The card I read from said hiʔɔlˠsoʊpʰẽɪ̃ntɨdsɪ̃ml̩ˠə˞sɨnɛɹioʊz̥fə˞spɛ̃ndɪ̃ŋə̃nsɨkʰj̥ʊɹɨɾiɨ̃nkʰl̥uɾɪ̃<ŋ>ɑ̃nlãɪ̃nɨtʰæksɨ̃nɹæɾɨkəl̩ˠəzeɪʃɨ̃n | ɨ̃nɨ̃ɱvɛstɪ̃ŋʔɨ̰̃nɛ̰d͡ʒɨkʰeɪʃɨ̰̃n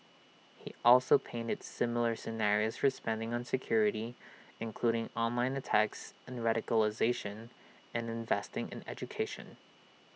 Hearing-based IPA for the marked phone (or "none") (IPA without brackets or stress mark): ŋ